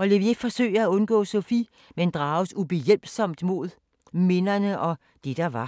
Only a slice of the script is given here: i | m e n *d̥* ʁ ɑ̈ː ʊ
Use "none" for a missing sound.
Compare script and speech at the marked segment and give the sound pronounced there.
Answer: d̥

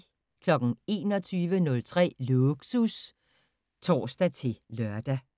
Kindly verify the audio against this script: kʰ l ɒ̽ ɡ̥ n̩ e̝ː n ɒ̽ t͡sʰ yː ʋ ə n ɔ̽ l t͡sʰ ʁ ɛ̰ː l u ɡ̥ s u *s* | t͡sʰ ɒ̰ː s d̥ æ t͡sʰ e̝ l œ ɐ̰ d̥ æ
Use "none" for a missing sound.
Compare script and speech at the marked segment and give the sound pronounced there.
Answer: s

